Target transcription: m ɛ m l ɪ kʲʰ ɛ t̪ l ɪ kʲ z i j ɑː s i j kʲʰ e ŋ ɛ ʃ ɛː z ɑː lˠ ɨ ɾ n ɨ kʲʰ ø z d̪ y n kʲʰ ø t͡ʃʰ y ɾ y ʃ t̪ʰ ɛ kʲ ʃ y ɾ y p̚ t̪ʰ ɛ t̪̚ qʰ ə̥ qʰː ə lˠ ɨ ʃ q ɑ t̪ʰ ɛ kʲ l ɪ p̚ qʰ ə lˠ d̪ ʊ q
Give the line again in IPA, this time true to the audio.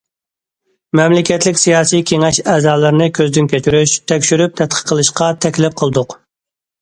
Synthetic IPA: m ɛ m l ɪ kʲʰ ɛ t̪ l ɪ kʲ s i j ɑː s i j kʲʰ e ŋ ɛ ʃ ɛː z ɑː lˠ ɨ ɾ n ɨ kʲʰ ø z d̪ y n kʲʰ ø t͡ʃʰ y ɾ y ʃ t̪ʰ ɛ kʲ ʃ y ɾ y p̚ t̪ʰ ɛ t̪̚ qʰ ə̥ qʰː ə lˠ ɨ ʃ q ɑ t̪ʰ ɛ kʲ l ɪ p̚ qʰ ə lˠ d̪ ʊ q